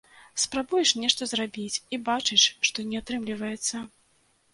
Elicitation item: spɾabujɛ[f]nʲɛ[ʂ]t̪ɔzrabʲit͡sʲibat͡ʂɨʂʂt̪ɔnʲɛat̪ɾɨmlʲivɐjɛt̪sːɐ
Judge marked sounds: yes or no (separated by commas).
no, yes